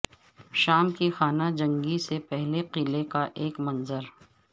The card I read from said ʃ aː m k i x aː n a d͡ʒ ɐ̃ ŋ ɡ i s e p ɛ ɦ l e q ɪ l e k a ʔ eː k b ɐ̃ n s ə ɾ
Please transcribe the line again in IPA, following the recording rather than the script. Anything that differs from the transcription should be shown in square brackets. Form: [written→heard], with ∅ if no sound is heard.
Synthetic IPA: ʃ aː m k i x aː n a d͡ʒ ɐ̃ ŋ ɡ i s e p ɛ ɦ l e q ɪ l e k a ʔ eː k [b→m] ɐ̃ n [s→z] ə ɾ